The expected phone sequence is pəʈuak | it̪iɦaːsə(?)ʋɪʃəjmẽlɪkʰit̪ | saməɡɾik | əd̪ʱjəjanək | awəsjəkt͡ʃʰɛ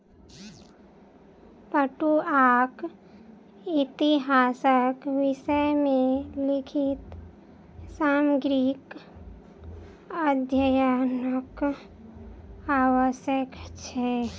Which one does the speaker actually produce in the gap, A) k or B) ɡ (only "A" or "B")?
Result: A